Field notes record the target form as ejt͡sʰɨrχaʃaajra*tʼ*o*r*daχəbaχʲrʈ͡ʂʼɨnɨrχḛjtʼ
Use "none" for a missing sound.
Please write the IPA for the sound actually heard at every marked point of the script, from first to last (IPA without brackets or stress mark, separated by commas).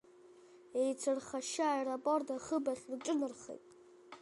pʼ, r